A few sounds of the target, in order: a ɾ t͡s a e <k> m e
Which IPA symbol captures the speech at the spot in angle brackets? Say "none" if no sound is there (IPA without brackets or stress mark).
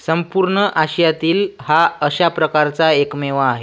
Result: k